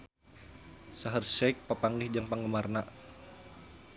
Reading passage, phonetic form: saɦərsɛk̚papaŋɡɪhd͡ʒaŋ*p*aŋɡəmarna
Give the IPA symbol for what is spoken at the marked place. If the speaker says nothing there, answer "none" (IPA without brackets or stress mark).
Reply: p